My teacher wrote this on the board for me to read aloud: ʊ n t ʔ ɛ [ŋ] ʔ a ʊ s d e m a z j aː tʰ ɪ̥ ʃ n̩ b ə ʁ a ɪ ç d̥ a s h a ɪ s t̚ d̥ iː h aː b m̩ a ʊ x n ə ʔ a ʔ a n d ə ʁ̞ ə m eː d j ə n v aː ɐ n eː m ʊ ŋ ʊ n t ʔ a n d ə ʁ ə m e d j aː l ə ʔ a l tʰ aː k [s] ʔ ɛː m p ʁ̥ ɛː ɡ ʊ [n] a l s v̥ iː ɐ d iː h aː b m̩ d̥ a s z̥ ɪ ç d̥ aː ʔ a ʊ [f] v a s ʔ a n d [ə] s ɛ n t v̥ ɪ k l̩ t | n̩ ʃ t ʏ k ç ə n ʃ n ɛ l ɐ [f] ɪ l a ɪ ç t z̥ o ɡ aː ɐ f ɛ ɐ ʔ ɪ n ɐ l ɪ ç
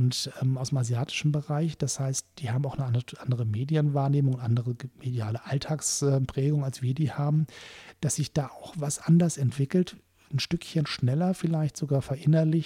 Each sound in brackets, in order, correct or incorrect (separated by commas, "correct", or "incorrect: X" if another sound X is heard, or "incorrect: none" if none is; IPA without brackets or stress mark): incorrect: m, correct, incorrect: ŋ, incorrect: x, incorrect: ɐ, correct